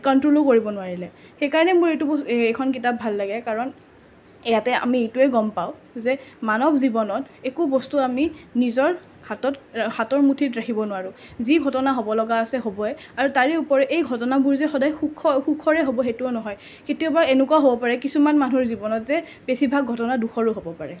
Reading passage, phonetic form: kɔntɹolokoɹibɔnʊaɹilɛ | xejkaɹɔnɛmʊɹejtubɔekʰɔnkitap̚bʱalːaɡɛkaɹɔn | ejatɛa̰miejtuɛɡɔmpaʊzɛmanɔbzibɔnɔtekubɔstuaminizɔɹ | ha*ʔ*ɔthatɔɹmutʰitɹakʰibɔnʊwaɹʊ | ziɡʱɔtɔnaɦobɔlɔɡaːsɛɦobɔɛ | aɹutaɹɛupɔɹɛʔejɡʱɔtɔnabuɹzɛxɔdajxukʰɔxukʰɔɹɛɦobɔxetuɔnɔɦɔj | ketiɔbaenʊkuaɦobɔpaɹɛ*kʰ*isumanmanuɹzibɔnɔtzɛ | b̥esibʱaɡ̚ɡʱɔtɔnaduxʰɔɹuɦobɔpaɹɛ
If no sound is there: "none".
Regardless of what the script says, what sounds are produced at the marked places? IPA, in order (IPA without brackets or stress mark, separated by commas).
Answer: t, k